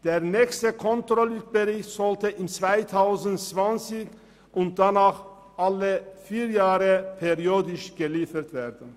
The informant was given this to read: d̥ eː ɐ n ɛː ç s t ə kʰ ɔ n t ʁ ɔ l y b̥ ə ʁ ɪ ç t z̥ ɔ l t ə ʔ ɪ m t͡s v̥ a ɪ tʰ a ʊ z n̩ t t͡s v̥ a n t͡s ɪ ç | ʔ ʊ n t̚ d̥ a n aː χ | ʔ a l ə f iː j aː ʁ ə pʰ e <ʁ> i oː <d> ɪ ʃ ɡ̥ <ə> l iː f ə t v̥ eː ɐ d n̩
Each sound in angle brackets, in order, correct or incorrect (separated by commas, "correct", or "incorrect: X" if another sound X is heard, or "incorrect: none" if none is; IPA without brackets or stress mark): correct, correct, correct